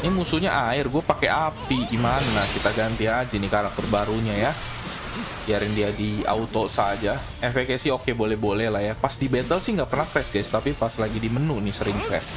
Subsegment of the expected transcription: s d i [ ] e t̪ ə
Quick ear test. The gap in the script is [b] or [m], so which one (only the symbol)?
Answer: b